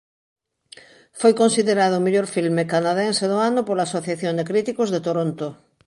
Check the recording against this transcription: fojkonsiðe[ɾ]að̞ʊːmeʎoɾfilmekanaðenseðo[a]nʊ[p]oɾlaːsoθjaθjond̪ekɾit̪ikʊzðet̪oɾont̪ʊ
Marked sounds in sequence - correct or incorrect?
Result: correct, correct, correct

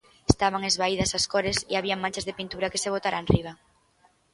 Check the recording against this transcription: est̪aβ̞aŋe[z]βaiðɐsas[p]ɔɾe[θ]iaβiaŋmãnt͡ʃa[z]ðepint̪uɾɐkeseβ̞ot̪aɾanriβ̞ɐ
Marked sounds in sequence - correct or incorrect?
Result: correct, incorrect: k, incorrect: s, correct

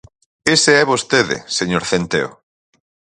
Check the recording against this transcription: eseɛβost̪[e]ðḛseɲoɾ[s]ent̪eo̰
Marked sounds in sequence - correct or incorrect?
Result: correct, incorrect: θ

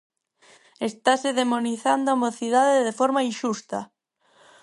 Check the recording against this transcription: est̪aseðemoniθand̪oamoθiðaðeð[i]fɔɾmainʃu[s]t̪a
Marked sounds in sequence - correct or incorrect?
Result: incorrect: e, correct

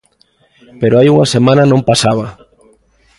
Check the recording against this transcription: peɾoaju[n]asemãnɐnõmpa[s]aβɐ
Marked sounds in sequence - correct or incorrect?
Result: incorrect: ŋ, correct

